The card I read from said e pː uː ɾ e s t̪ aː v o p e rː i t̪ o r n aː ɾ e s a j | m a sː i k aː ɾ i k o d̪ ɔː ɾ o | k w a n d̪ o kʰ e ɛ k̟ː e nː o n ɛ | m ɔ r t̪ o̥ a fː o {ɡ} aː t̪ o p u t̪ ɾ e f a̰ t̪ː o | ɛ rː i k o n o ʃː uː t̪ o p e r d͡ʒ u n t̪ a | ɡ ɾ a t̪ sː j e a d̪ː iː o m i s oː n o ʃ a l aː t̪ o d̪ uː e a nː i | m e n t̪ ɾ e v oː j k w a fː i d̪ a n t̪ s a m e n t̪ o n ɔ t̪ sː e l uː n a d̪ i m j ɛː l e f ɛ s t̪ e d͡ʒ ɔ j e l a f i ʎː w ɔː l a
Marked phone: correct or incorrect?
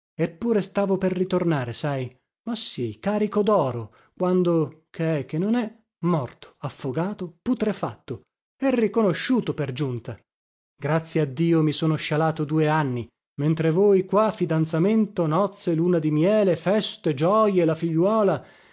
correct